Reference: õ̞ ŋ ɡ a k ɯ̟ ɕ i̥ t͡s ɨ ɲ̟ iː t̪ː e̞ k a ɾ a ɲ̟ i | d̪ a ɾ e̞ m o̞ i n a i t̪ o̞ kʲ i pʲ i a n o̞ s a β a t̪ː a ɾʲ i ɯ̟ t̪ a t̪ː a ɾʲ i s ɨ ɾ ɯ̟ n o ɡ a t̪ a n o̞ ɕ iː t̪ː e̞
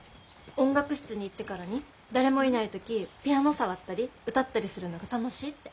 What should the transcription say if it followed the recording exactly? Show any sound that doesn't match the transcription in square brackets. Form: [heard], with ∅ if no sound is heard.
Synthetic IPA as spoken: õ̞ ŋ ɡ a k ɯ̟ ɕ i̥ t͡s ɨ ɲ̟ iː t̪ː e̞ k a ɾ a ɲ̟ i | d̪ a ɾ e̞ m o̞ i n a i t̪ o̞ kʲ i pʲ i a n o̞ s a β a t̪ː a ɾʲ i ɯ̟ t̪ a t̪ː a ɾʲ i s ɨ ɾ ɯ̟ n o ɡ a t̪ a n o̞ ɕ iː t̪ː e̞